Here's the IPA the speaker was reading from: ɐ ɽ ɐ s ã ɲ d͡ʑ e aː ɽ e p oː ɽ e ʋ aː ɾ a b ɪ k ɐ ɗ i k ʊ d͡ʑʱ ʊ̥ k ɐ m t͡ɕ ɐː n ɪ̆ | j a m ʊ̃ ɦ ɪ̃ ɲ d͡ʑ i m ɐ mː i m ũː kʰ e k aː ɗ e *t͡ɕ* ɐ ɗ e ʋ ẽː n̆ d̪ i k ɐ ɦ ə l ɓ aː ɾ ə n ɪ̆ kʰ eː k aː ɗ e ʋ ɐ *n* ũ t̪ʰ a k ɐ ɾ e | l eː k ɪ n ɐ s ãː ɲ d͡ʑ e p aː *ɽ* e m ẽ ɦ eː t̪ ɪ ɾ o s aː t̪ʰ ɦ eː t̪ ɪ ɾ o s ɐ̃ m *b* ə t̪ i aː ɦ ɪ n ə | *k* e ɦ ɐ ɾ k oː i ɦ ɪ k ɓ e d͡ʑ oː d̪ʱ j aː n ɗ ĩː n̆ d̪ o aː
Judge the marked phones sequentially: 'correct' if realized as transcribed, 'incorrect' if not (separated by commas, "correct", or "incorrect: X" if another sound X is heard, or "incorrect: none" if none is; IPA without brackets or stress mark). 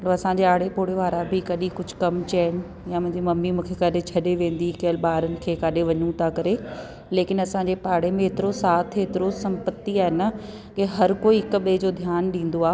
incorrect: t͡ɕʰ, incorrect: ɲ, correct, incorrect: p, correct